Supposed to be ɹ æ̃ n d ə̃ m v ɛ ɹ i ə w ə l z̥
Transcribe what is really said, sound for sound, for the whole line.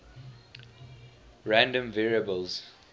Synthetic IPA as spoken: ɹ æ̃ n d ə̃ m v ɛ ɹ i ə b ə l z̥